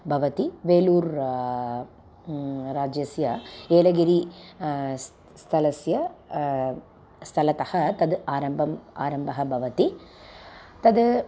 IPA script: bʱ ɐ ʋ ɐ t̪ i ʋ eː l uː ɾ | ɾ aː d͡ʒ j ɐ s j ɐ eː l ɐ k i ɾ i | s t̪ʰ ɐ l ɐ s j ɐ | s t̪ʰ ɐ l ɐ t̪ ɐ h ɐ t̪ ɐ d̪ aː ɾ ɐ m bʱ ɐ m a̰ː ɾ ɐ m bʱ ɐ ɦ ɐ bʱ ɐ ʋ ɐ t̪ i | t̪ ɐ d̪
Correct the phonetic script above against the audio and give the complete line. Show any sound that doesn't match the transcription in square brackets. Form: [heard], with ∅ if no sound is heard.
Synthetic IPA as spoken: bʱ ɐ ʋ ɐ t̪ i ʋ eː l uː ɾ | ɾ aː d͡ʒ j ɐ s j ɐ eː l ɐ [ɡ] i ɾ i | s t̪ʰ ɐ l ɐ s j ɐ | s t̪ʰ ɐ l ɐ t̪ ɐ h ɐ t̪ ɐ d̪ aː ɾ ɐ m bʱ ɐ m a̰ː ɾ ɐ m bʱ ɐ ɦ ɐ bʱ ɐ ʋ ɐ t̪ i | t̪ ɐ d̪